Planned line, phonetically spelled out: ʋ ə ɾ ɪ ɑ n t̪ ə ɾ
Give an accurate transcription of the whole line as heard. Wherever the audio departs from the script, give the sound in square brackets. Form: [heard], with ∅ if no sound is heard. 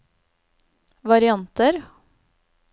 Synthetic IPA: ʋ [ɑ] ɾ ɪ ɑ n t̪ ə ɾ